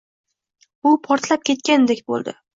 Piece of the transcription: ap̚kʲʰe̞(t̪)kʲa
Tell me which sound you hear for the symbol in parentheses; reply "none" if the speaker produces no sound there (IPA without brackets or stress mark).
t̪